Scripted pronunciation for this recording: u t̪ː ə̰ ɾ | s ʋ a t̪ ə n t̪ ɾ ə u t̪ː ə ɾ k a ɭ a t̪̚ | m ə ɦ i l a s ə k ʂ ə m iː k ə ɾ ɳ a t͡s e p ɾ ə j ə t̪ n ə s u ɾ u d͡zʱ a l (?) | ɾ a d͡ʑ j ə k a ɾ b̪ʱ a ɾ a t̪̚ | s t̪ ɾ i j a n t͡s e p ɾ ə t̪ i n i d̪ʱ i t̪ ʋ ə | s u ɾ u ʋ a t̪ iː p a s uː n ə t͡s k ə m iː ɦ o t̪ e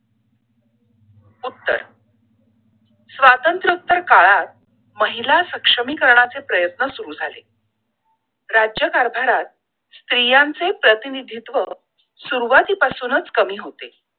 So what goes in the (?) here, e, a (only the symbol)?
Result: e